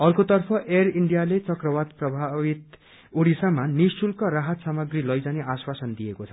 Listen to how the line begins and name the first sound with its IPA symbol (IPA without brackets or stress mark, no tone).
ʌ